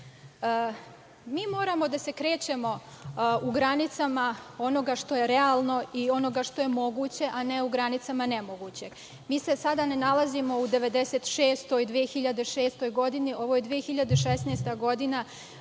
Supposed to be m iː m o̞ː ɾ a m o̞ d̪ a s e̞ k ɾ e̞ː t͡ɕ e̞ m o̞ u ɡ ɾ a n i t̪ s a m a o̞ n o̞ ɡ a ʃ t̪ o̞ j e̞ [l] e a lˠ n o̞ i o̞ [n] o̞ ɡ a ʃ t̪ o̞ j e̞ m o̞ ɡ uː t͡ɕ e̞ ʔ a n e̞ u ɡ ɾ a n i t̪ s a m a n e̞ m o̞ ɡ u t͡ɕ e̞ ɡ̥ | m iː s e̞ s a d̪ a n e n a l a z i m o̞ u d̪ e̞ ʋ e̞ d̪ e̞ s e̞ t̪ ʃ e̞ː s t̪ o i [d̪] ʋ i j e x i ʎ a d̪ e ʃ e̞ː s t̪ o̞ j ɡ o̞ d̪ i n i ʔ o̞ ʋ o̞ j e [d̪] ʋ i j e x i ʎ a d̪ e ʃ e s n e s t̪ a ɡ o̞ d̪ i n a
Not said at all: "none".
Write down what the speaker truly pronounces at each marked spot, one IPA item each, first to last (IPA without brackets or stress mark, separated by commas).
ɾ, n, d̪, d̪